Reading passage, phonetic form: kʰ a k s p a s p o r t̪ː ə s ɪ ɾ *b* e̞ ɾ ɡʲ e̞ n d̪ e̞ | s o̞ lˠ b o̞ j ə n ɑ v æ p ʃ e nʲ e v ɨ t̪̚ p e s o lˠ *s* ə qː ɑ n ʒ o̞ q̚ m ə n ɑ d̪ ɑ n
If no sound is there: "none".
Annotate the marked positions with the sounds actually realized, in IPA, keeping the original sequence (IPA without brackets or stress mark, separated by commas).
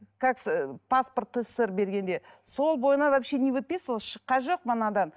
b, ʃ